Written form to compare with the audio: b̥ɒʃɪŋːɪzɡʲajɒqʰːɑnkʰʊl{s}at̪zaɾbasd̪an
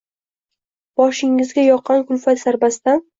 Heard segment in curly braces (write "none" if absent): f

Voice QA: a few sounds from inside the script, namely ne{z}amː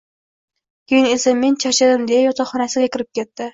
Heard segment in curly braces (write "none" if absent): s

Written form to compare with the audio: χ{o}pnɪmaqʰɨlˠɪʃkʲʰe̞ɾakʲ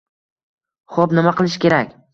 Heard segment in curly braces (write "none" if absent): o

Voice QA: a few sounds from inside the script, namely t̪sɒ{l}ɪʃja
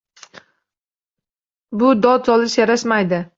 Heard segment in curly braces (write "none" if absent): l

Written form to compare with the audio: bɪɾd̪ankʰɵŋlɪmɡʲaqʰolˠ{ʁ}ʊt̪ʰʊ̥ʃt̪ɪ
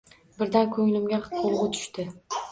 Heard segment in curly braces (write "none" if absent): ʁ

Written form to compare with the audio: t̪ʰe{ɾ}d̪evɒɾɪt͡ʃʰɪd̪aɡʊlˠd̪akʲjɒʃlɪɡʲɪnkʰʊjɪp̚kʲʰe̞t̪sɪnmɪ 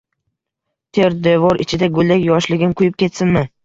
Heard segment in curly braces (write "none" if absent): ɾ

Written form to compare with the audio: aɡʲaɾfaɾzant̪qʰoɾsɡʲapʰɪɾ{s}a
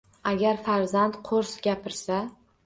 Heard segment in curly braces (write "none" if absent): s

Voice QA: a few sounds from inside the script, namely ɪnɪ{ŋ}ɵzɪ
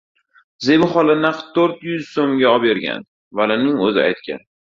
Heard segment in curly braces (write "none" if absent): ŋ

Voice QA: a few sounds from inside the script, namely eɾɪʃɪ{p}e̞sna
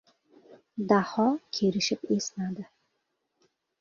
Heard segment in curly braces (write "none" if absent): p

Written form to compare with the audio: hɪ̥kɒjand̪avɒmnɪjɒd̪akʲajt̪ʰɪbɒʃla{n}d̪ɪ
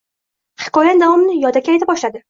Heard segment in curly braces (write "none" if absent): none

